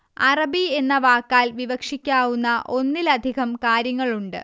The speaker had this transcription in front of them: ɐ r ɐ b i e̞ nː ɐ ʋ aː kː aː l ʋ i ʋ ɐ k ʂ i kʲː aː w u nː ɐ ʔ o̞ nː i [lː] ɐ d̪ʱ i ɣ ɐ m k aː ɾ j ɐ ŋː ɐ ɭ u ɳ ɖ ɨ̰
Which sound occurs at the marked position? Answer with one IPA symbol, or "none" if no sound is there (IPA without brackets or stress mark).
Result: l